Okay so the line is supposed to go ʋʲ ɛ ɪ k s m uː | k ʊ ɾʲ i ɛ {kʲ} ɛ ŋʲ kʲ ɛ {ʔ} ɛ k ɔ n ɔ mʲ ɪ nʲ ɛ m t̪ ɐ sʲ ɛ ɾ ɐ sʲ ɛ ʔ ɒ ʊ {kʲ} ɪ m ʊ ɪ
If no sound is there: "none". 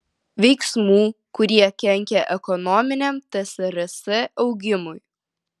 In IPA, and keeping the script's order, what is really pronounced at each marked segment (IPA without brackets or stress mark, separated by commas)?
kʲ, ʔ, ɡʲ